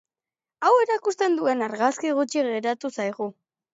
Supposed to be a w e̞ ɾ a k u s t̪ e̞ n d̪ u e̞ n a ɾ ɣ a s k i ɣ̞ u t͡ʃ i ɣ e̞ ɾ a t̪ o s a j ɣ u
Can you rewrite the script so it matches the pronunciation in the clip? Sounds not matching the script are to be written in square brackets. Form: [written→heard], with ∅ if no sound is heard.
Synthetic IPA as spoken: a w e̞ ɾ a k u s t̪ e̞ n d̪ u e̞ n a ɾ ɣ a s k i ɣ̞ u t͡ʃ i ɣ e̞ ɾ a t̪ [o→u] s a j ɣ u